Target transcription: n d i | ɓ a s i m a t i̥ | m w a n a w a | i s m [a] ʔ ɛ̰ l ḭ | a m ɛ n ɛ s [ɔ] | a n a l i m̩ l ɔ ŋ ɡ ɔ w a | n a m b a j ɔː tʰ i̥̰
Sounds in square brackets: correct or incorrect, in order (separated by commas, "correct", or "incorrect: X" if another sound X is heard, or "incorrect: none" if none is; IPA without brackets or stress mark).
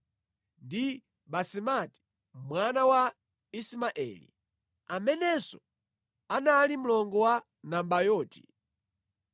correct, correct